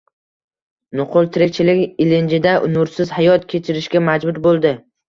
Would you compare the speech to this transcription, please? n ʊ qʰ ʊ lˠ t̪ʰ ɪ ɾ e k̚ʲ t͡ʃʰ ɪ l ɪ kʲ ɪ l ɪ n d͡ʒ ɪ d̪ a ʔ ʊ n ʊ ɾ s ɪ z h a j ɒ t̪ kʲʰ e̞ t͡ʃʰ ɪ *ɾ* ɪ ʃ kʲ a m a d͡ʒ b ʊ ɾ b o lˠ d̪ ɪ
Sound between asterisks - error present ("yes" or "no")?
no